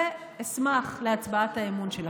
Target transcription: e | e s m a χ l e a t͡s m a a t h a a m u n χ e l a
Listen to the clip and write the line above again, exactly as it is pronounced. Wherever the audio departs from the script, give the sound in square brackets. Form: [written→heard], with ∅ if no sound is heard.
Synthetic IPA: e | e s m a χ l e a t͡s [m→b] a a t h a [a→e] m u n [χ→ʃ] e l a